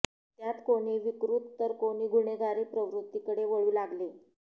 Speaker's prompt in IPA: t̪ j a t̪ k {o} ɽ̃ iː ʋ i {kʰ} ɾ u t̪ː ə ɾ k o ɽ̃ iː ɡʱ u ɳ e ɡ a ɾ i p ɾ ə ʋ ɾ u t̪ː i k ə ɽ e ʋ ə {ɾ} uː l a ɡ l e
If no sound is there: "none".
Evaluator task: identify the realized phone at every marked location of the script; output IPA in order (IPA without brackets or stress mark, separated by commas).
o, k, ɭ